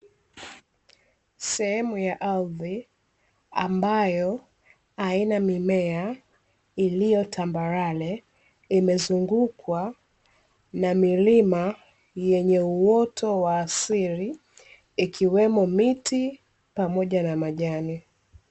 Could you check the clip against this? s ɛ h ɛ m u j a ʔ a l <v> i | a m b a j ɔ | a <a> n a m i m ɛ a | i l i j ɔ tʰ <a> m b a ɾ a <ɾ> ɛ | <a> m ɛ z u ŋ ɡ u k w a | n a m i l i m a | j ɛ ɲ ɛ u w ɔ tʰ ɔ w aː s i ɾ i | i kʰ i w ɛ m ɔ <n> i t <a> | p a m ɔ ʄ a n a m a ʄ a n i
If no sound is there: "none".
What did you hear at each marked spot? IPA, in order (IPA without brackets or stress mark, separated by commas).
ð, i, a, l, i, m, i